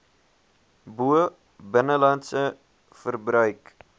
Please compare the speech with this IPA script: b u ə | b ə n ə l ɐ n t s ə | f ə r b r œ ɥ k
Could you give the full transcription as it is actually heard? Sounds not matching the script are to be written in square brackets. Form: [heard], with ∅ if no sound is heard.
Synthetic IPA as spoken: b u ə | b ə n ə l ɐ n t s ə | f ə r b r œ ɥ k